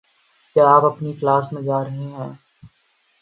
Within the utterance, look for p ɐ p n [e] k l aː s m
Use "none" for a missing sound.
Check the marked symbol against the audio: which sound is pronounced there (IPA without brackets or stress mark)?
i